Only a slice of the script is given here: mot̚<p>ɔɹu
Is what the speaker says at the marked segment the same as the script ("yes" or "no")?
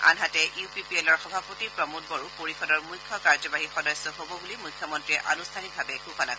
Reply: no